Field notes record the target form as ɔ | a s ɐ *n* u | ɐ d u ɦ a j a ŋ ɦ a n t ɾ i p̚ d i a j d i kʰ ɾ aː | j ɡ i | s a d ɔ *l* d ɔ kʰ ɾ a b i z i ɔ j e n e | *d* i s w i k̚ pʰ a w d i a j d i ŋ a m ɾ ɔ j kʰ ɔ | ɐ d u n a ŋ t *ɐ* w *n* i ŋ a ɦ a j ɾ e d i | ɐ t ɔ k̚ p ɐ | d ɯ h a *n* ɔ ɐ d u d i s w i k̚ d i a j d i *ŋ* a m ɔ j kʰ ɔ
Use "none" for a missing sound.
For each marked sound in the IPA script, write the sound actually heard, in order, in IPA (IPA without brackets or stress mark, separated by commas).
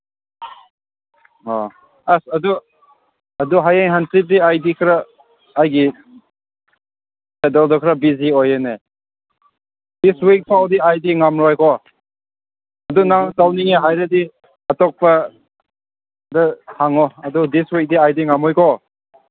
d, l, d, a, n, ŋ, ŋ